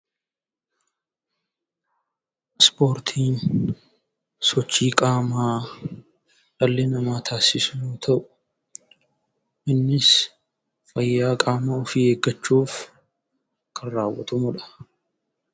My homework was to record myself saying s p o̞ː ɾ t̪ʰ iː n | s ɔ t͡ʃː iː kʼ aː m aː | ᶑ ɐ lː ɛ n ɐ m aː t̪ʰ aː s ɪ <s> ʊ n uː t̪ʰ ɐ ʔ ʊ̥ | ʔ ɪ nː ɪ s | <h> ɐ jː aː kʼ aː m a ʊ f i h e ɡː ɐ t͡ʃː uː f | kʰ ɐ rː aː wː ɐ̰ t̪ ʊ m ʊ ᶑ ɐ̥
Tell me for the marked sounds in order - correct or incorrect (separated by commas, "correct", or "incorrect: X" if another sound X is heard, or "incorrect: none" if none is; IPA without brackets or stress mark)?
correct, incorrect: f